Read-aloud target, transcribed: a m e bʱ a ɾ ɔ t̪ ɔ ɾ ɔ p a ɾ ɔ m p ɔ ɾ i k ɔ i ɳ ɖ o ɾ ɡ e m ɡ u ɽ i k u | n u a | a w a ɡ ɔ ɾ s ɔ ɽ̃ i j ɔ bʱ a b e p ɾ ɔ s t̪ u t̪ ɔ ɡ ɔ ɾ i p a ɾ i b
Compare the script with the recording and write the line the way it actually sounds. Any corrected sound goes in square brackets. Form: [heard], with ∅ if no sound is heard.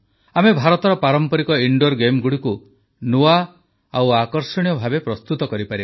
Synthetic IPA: a m e bʱ a ɾ ɔ t̪ ɔ ɾ ɔ p a ɾ ɔ m p ɔ ɾ i k ɔ i ɳ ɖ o ɾ ɡ e m ɡ u ɽ i k u | n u a | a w a [k] ɔ ɾ s ɔ ɽ̃ i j ɔ bʱ a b e p ɾ ɔ s t̪ u t̪ ɔ [k] ɔ ɾ i p a ɾ i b

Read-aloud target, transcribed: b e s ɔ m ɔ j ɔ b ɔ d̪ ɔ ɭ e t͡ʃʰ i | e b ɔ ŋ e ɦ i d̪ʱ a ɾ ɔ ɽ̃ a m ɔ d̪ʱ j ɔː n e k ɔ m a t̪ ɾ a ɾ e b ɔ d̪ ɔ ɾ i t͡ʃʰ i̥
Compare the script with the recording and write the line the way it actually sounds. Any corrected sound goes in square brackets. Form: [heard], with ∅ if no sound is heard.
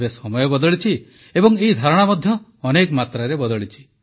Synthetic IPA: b e s ɔ m ɔ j ɔ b ɔ d̪ ɔ ɭ [i] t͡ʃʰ i | e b ɔ ŋ e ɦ i d̪ʱ a ɾ ɔ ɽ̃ a m ɔ d̪ʱ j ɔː n e k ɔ m a t̪ ɾ a ɾ e b ɔ d̪ ɔ [ɭ] i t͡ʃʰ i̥

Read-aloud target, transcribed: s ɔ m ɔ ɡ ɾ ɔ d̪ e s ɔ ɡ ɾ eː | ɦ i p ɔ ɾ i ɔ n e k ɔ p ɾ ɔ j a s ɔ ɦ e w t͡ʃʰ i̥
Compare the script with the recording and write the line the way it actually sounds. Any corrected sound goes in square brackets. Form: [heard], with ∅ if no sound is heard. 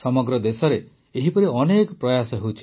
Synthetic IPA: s ɔ m ɔ ɡ ɾ ɔ d̪ e s ɔ [∅] ɾ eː | ɦ i p ɔ ɾ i ɔ n e k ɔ p ɾ ɔ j a s ɔ ɦ e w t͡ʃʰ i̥

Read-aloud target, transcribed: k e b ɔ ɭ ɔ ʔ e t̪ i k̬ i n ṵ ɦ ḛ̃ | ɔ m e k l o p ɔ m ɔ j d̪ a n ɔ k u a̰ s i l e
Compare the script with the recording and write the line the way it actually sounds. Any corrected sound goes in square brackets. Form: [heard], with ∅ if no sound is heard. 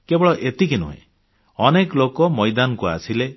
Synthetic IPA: k e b ɔ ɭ ɔ ʔ e t̪ i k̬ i n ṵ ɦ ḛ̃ | ɔ [n] e k l o [k] ɔ m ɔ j d̪ a n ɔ k u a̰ s i l e

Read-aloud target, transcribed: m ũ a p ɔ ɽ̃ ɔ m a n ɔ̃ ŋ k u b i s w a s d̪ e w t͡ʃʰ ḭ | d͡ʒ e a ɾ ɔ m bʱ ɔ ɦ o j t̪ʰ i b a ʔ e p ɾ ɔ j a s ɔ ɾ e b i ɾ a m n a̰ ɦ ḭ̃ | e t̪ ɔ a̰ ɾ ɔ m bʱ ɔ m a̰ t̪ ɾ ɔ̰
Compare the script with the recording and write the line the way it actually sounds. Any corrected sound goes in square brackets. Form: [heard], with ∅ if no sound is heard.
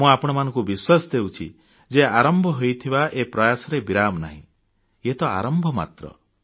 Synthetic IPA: m ũ a p ɔ ɽ̃ ɔ m a n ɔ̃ ŋ k u b i s w a s d̪ e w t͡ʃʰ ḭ | d͡ʒ e a ɾ ɔ m bʱ ɔ ɦ o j t̪ʰ i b a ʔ e p ɾ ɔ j a s ɔ ɾ e b i ɾ a m n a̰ ɦ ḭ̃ | e t̪ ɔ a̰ ɾ ɔ m bʱ ɔ m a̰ t̪ ɾ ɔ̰

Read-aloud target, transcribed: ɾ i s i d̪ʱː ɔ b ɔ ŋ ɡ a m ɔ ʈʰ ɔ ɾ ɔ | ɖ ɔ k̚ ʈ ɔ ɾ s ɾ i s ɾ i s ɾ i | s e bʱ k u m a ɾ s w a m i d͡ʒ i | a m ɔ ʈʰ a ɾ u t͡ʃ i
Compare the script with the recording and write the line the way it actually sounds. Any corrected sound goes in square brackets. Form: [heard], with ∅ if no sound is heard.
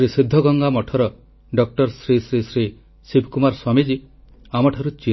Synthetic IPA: ɾ i s i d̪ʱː ɔ [ɡ] ɔ ŋ ɡ a m ɔ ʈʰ ɔ ɾ ɔ | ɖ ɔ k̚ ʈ ɔ ɾ s ɾ i s ɾ i s ɾ i | s [i] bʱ k u m a ɾ s w a m i d͡ʒ i | a m ɔ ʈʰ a ɾ u t͡ʃ i

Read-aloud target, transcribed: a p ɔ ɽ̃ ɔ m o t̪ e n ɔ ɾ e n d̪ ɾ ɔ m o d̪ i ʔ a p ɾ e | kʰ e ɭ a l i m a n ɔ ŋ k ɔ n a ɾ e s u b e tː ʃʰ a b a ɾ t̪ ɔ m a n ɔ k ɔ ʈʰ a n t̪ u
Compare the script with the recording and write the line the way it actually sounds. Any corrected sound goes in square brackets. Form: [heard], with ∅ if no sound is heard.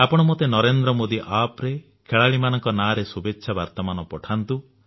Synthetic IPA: a p ɔ ɽ̃ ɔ m o t̪ e n ɔ ɾ e n d̪ ɾ ɔ m o d̪ i ʔ a p ɾ e | kʰ e ɭ a [ɭ] i m a n ɔ ŋ k ɔ n a ɾ e s u b e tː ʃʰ a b a ɾ t̪ ɔ m a n ɔ [p] ɔ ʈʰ a n t̪ u

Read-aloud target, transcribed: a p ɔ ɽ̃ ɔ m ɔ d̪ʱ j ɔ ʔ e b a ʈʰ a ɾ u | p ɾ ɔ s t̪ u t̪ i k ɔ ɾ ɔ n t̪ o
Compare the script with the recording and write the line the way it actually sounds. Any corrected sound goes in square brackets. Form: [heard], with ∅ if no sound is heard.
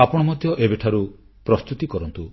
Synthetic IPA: a p ɔ ɽ̃ ɔ m ɔ d̪ʱ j ɔ ʔ e b [e] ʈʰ a ɾ u | p ɾ ɔ s t̪ u t̪ i k ɔ ɾ ɔ n t̪ [u]

